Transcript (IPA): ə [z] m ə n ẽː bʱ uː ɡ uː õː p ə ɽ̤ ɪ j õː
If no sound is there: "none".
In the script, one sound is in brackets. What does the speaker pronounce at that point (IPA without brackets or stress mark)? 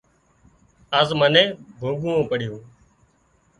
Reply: z